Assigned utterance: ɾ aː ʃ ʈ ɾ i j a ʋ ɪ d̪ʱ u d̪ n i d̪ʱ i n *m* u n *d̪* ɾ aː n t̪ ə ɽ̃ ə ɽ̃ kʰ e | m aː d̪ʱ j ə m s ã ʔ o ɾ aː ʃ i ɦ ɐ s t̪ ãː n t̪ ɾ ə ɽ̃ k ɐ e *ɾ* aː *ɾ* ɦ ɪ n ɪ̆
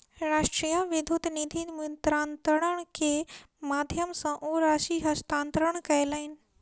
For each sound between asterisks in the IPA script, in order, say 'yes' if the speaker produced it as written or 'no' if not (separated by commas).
yes, no, no, no